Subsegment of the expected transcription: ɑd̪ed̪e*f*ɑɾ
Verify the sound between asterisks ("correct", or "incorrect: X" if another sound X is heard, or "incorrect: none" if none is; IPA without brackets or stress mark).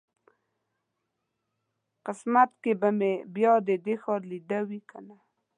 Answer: incorrect: x